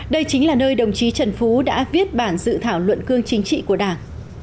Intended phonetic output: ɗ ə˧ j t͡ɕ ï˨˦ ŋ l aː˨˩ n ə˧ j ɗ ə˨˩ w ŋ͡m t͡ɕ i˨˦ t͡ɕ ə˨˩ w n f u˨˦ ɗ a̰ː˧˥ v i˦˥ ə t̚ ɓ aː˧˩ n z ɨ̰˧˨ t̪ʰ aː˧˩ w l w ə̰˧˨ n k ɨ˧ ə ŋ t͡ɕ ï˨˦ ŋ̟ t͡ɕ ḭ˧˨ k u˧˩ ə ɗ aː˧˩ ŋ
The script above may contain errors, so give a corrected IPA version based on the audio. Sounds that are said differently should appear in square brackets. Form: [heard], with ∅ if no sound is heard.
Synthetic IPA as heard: ɗ ə˧ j t͡ɕ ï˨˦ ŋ l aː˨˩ n [əː˧] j ɗ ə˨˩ w ŋ͡m t͡ɕ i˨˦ t͡ɕ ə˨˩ [∅] n f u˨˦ ɗ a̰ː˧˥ v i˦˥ ə t̚ ɓ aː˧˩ n z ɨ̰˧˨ t̪ʰ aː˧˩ w l w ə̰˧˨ n k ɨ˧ ə ŋ t͡ɕ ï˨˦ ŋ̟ t͡ɕ ḭ˧˨ k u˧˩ ə ɗ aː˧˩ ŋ

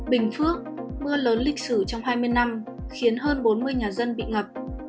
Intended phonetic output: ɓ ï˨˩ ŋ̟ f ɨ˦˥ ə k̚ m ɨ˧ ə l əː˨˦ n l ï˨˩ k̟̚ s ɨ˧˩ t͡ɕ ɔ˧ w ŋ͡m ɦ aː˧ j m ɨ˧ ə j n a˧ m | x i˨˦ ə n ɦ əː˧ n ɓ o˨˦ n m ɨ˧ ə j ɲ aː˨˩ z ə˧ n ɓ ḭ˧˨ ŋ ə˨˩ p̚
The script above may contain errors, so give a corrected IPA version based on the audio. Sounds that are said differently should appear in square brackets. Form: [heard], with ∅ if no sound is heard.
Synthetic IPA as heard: ɓ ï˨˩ ŋ̟ f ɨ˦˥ ə k̚ m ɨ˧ ə l əː˨˦ n l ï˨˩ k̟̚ s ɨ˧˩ t͡ɕ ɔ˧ w ŋ͡m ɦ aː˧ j m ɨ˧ ə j n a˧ m | x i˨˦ ə n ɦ əː˧ n ɓ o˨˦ n m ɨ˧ ə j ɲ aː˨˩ z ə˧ n ɓ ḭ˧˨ ŋ ə˨˩ p̚

